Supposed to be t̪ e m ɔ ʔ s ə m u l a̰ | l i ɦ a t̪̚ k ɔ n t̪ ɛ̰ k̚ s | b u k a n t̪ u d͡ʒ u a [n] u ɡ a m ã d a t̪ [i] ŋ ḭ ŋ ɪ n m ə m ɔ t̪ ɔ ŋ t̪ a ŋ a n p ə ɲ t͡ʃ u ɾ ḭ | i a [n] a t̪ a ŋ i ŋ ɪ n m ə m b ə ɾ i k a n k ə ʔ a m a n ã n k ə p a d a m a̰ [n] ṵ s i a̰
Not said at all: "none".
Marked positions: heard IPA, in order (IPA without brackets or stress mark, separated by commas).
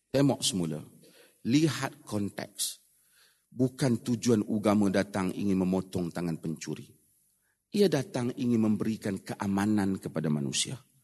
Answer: n, a, d, n